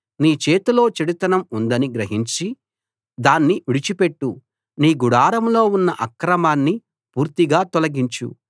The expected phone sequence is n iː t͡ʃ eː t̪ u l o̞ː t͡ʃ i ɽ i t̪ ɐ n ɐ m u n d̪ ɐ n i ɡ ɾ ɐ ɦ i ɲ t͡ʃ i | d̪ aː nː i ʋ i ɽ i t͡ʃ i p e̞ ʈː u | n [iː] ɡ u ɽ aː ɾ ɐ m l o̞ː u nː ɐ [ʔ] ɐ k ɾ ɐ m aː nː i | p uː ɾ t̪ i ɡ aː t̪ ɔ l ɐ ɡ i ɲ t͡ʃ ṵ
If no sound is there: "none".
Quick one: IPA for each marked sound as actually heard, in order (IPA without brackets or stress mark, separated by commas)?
iː, ʔ